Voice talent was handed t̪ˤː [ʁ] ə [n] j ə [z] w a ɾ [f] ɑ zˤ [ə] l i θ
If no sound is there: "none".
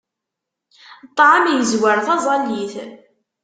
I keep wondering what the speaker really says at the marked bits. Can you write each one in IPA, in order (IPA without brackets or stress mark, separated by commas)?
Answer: ʕ, m, z, θ, ɑ